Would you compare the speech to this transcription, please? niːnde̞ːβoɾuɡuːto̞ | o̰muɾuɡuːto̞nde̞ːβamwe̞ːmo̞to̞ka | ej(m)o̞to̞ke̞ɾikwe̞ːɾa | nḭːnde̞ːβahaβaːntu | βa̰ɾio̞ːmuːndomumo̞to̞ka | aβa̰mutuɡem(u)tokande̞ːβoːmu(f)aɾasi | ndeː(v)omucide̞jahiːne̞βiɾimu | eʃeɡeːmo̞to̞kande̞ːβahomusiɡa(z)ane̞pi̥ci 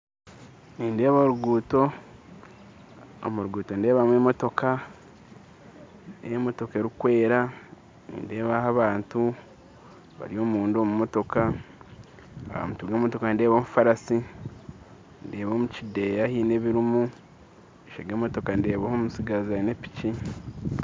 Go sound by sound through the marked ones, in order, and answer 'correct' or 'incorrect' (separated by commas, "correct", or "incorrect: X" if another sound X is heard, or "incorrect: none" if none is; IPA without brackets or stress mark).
correct, incorrect: o, correct, incorrect: β, correct